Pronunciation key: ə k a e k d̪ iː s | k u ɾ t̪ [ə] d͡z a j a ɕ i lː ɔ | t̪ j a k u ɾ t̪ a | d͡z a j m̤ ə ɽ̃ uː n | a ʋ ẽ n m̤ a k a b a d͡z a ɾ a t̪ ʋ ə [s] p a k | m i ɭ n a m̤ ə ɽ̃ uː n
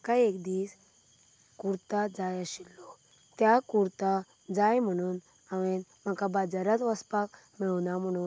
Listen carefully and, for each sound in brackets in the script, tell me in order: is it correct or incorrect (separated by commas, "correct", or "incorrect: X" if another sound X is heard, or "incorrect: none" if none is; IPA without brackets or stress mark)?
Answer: incorrect: a, correct